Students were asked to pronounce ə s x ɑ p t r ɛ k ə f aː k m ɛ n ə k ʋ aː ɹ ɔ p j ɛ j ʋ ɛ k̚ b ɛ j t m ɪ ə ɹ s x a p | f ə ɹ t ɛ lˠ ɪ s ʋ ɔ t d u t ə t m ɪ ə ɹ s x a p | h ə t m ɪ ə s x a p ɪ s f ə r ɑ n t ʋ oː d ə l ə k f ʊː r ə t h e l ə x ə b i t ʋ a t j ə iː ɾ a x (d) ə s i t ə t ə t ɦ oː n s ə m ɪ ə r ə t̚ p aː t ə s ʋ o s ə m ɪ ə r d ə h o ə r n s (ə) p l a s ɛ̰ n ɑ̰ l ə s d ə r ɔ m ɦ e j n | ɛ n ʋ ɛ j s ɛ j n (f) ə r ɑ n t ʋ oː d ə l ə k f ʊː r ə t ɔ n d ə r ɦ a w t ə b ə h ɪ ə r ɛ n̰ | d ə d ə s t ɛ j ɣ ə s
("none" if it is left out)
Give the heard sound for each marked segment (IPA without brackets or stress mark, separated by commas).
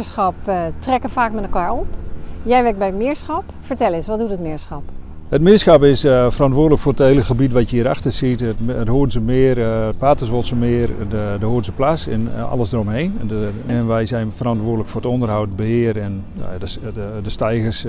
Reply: t, ə, f